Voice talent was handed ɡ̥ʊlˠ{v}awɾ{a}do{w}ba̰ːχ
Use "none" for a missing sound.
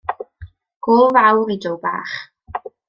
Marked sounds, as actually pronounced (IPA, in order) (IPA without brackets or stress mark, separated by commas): v, i, w